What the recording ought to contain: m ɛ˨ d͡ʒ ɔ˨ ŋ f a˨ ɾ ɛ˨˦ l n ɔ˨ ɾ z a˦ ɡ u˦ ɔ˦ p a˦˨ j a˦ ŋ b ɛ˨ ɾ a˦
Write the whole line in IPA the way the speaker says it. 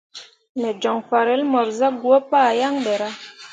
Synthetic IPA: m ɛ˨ d͡ʒ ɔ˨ ŋ f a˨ ɾ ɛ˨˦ l m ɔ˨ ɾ z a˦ ɡ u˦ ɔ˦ p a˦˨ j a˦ ŋ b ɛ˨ ɾ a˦